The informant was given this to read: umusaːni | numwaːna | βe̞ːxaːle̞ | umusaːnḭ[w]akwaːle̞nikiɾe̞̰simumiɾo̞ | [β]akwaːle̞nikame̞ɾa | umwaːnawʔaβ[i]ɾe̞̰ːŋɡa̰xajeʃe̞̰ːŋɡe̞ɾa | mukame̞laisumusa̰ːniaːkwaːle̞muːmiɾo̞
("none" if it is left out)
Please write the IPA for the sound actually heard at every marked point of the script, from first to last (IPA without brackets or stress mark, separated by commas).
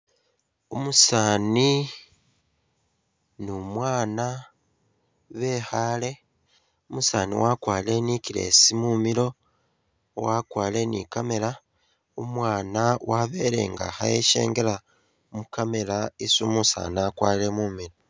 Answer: w, w, e